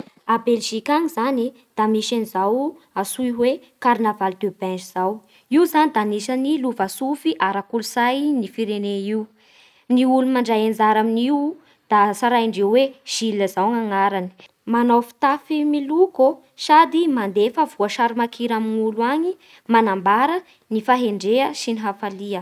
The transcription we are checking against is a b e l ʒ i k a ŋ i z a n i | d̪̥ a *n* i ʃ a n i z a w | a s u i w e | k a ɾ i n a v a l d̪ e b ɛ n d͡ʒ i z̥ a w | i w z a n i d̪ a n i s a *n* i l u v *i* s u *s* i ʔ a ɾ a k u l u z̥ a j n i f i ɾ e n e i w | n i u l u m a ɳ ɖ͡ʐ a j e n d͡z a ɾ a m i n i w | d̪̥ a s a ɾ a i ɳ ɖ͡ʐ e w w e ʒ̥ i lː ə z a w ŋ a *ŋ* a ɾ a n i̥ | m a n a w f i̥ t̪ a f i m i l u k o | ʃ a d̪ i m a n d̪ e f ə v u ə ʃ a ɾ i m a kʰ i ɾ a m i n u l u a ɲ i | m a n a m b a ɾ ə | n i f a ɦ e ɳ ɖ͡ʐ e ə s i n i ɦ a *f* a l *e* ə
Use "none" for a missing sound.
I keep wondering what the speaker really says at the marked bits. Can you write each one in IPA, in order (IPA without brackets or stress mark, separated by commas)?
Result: m, n, a, f, ŋ, f, i